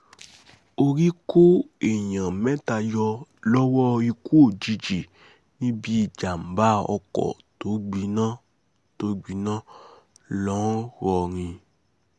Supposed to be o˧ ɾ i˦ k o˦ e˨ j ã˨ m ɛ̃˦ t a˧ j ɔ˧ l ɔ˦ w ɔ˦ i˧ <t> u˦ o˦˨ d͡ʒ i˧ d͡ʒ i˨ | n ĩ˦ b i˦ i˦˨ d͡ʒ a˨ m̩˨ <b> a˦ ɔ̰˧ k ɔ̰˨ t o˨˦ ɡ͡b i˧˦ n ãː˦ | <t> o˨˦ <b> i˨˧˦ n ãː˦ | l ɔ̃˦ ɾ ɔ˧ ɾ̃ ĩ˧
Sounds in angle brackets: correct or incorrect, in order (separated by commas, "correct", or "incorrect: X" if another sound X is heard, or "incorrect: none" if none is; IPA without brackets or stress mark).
incorrect: k, correct, correct, incorrect: ɡ͡b